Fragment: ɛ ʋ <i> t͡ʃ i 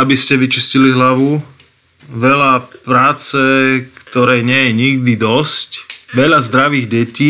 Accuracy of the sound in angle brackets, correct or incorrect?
correct